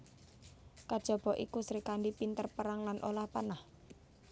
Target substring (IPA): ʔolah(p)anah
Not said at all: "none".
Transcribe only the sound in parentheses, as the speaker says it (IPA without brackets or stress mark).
p